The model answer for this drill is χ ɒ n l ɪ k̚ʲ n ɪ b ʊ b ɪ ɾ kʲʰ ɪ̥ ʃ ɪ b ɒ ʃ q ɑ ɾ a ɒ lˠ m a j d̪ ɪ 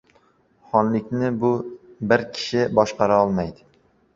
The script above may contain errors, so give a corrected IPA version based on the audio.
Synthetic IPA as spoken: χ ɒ n l ɪ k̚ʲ n ɪ b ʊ b ɪ ɾ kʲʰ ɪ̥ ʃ ɪ b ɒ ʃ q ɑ ɾ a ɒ lˠ m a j d̪ ɪ